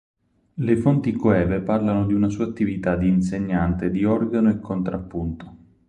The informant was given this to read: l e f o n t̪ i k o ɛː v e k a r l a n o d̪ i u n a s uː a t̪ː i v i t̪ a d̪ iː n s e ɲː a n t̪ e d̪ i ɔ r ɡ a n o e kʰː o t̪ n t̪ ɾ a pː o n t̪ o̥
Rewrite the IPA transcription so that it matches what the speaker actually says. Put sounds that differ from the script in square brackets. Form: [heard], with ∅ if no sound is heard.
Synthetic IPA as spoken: l e f o n t̪ i k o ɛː v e [p] a r l a n o d̪ i u n a s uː a t̪ː i v i t̪ a d̪ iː n s e ɲː a n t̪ e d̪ i ɔ r ɡ a n o e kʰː o [∅] n t̪ ɾ a pː [u] n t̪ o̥